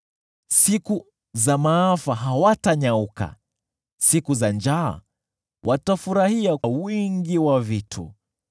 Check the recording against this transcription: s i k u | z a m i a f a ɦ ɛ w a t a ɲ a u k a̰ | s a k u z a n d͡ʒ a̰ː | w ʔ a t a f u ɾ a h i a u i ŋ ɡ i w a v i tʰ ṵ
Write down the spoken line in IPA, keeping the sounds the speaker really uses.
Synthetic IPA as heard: s i k u | z a m a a f a ɦ a w a t a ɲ a u k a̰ | s i k u z a n d͡ʒ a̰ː | w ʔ a t a f u ɾ a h i a w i ŋ ɡ i w a v i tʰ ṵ